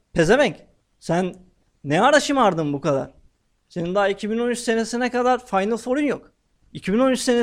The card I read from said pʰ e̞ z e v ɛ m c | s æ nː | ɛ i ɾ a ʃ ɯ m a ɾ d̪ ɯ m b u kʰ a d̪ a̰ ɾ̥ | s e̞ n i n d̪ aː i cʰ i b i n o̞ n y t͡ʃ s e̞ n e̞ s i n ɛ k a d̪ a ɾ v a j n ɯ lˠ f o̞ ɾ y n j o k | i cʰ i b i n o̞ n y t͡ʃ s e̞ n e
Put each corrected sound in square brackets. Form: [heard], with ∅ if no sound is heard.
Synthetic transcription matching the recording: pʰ e̞ z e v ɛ [ɲ] c | s æ nː | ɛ [a] ɾ a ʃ ɯ m a ɾ d̪ ɯ m b u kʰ a d̪ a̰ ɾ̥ | s e̞ n i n d̪ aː i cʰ i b i n o̞ n y t͡ʃ s e̞ n e̞ s i n ɛ k a d̪ a ɾ [f] a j n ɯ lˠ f o̞ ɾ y n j o k | i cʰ i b i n o̞ n y t͡ʃ s e̞ n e